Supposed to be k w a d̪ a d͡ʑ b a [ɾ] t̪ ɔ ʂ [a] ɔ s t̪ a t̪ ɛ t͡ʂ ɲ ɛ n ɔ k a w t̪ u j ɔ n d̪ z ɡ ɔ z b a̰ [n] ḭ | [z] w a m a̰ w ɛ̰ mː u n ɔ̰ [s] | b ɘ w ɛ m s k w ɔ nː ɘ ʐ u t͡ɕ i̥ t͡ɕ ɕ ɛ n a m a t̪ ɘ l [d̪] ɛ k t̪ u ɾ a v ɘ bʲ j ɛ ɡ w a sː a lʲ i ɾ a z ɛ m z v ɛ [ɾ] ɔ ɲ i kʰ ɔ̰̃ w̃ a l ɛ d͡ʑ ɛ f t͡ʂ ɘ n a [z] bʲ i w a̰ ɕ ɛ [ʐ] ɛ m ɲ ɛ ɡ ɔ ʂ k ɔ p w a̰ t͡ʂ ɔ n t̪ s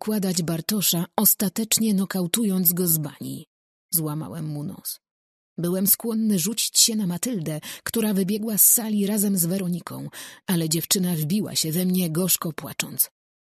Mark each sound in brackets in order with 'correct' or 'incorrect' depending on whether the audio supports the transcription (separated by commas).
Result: correct, correct, incorrect, correct, correct, correct, correct, incorrect, incorrect